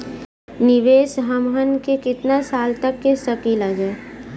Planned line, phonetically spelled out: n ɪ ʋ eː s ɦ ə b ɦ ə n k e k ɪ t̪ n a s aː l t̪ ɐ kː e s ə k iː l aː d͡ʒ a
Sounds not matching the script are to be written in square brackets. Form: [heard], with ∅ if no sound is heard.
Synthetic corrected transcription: n ɪ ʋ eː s ɦ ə [m] ɦ ə n k e k ɪ t̪ n a s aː l t̪ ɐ kː e s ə k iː l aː d͡ʒ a